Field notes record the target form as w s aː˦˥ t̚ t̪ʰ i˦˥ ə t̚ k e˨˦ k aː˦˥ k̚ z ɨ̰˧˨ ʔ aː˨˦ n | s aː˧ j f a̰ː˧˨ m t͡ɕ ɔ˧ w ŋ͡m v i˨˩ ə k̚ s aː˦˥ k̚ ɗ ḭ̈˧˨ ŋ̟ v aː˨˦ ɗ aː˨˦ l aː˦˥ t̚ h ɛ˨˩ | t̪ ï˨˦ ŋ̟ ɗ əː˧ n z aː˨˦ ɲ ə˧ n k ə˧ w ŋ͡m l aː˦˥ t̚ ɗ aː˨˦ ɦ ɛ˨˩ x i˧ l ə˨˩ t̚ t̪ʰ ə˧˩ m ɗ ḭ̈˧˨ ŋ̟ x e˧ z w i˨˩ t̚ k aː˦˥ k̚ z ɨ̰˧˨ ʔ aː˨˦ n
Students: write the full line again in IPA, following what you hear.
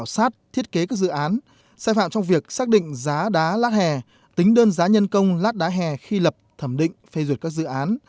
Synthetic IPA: w s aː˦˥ t̚ t̪ʰ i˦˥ ə t̚ k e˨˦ k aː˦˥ k̚ z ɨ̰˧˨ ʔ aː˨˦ n | s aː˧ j f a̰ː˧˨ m t͡ɕ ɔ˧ w ŋ͡m v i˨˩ ə k̚ s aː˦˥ k̚ ɗ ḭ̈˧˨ ŋ̟ z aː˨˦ ɗ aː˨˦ l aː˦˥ t̚ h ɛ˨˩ | t̪ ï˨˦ ŋ̟ ɗ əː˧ n z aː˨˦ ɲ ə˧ n k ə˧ w ŋ͡m l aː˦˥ t̚ ɗ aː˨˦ ɦ ɛ˨˩ x i˧ l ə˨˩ p̚ t̪ʰ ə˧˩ m ɗ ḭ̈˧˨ ŋ̟ f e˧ z w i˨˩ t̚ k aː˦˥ k̚ z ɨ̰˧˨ ʔ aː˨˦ n

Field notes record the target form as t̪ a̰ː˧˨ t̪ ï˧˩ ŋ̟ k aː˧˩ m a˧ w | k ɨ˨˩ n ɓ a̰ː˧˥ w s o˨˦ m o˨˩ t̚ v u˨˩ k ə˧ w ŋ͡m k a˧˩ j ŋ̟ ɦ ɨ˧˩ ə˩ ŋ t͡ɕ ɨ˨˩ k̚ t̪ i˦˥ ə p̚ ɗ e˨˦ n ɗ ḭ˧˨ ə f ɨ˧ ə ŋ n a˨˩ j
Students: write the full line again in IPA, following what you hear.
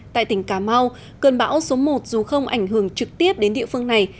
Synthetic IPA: t̪ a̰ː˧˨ t̪ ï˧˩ ŋ̟ k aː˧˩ m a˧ w | k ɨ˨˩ n ɓ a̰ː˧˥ w s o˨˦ m o˨˩ t̚ z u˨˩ x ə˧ w ŋ͡m ʔ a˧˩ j ŋ̟ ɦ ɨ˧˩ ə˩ ŋ t͡ɕ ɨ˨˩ k̚ t̪ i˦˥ ə p̚ ɗ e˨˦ n ɗ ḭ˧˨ ə f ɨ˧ ə ŋ n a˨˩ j

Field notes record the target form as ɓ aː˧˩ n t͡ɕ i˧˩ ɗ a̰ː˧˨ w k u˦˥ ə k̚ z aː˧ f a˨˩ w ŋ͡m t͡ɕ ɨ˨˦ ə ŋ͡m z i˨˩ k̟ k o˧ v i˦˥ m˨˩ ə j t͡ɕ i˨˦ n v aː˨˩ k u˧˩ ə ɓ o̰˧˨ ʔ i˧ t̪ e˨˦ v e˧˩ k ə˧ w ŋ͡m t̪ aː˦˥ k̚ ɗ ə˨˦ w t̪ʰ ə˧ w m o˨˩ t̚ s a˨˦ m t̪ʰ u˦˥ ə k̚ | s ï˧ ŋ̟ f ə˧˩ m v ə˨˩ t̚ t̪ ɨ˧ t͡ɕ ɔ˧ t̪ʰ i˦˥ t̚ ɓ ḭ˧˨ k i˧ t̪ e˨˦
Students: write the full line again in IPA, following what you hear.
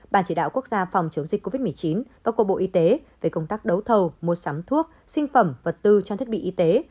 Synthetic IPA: ɓ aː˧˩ n t͡ɕ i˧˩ ɗ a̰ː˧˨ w k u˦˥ ə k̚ z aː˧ f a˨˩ w ŋ͡m t͡ɕ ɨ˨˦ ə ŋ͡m z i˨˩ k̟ k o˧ v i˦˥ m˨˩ ə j t͡ɕ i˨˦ n v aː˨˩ k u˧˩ ə ɓ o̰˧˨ ʔ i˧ t̪ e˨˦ v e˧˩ k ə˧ w ŋ͡m t̪ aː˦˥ k̚ ɗ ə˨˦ w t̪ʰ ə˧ w m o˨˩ t̚ s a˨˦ m t̪ʰ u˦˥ ə k̚ | s ï˧ ŋ̟ f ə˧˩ m v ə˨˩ t̚ t̪ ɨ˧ t͡ɕ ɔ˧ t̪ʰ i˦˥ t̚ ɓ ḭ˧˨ ʔ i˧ t̪ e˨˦

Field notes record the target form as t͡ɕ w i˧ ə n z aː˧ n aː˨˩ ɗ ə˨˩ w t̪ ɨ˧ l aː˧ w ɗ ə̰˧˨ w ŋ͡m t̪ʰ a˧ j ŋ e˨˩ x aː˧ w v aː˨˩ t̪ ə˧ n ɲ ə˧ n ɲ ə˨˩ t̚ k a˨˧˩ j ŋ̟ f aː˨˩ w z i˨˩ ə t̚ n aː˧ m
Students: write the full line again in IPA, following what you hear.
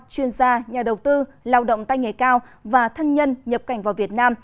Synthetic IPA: t͡ɕ w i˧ ə n z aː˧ ɲ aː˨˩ ɗ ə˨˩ w t̪ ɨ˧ l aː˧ w ɗ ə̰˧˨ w ŋ͡m t̪ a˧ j ŋ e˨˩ k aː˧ w v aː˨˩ t̪ʰ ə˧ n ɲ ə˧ n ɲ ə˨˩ p̚ k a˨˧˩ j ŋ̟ v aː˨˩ w v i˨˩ ə t̚ n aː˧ m

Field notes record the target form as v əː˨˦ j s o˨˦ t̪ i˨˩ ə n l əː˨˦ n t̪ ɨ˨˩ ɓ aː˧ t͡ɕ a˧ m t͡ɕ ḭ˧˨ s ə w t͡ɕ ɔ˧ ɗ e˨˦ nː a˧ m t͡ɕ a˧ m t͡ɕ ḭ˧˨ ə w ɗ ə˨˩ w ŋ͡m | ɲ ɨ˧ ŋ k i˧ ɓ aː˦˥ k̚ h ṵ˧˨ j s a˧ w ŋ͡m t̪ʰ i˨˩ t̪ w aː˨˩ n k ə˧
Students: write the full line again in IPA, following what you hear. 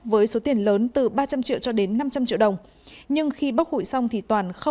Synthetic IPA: v əː˨˦ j s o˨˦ t̪ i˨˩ ə n l əː˨˦ n t̪ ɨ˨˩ ɓ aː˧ t͡ɕ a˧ m t͡ɕ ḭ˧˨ ə w t͡ɕ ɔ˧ ɗ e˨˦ nː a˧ m t͡ɕ a˧ m t͡ɕ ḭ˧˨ ə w ɗ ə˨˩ w ŋ͡m | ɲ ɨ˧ ŋ x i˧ ɓ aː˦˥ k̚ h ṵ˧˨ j s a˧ w ŋ͡m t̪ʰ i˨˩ t̪ w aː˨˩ n x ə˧

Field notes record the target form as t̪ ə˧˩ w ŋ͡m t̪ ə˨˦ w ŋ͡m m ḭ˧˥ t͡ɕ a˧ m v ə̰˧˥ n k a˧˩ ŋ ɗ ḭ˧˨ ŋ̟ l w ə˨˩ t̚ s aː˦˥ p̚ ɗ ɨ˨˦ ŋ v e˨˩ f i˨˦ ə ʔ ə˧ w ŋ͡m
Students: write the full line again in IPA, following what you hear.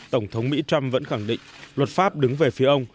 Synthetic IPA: t̪ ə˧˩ w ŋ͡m t̪ʰ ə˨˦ w ŋ͡m m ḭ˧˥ t͡ɕ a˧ m v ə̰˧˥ n x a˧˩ ŋ ɗ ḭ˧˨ ŋ̟ l w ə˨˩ t̚ f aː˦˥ p̚ ɗ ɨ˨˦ ŋ v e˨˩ f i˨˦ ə ʔ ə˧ w ŋ͡m

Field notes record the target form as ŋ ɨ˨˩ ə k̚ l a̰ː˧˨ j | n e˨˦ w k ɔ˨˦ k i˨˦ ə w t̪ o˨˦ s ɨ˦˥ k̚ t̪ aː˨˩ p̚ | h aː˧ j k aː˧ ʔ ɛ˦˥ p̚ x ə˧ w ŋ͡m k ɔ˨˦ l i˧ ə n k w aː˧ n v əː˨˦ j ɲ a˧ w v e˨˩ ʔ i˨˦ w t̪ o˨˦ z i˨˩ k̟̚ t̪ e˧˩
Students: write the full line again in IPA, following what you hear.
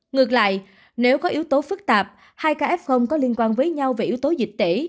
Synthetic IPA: ŋ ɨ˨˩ ə k̚ l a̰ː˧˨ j | n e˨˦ w k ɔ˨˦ ʔ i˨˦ ə w t̪ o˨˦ f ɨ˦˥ k̚ t̪ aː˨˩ p̚ | h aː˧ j k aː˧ ʔ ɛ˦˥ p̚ x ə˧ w ŋ͡m k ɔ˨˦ l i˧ ə n k w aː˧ n v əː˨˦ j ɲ a˧ w v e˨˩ ʔ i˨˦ w t̪ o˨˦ z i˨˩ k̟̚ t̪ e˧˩

